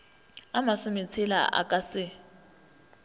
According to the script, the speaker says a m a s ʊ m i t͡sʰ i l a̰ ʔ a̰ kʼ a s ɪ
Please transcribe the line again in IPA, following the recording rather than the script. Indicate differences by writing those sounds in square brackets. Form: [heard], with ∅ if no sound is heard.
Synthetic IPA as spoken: a m a s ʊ m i t͡sʰ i l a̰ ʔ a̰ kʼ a s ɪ